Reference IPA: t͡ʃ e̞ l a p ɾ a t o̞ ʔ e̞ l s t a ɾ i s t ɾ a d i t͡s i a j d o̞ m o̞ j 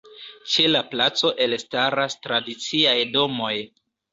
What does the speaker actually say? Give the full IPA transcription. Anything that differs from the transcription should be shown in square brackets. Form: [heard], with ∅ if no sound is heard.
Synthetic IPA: t͡ʃ e̞ l a p [l] a [t͡s] o̞ ʔ e̞ l s t a ɾ [a] s t ɾ a d i t͡s i a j d o̞ m o̞ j